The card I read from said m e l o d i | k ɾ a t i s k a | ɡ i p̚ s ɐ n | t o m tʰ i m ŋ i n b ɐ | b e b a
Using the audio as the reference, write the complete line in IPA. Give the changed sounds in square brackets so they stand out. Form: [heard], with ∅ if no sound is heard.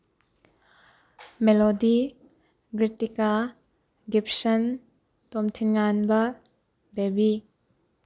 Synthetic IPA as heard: m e l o d i | [ɡ] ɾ [i] t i [∅] k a | ɡ i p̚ s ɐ n | t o m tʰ i [n] ŋ [a] n b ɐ | b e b [i]